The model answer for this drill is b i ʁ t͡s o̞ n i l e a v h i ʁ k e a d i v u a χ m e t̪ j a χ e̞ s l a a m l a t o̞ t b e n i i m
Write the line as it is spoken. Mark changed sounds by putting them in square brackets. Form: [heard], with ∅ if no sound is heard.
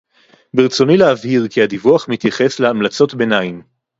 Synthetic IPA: b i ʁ t͡s o̞ n i l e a v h i ʁ k [i] a d i v u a χ m [i] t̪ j a χ e̞ s l [e] a m l a [t͡s] o̞ t b e n [a] i m